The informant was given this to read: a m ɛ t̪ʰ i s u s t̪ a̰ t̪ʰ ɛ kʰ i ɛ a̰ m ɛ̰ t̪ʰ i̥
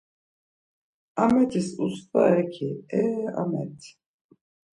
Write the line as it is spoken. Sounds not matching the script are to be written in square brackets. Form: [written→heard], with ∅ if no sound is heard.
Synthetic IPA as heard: a m ɛ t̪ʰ i s u s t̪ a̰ [t̪ʰ→∅] ɛ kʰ i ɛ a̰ m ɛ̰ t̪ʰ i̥